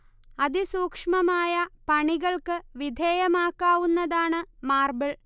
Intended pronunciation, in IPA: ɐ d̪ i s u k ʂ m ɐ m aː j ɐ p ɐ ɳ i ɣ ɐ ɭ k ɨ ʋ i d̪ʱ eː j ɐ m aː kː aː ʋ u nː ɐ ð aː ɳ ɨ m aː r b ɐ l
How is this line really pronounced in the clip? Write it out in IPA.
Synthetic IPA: ɐ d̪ i s uː k ʂ m ɐ m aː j ɐ p ɐ ɳ i ɣ ɐ ɭ k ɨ ʋ i d̪ʱ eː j ɐ m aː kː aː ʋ u nː ɐ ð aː ɳ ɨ m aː r b ɐ ɭ